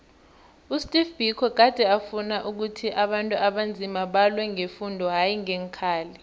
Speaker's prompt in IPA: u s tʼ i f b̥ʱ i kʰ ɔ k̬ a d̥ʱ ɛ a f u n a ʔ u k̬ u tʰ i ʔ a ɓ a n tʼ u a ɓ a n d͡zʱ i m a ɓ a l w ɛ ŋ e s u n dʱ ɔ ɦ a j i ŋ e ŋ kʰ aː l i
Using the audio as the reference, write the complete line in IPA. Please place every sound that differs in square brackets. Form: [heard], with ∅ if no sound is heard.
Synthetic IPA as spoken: u s tʼ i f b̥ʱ i kʰ ɔ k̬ a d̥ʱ ɛ a f u n a ʔ u k̬ u tʰ i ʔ a ɓ a n tʼ u a ɓ a n d͡zʱ i m a ɓ a l w ɛ ŋ e [f] u n dʱ ɔ ɦ a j i ŋ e ŋ kʰ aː l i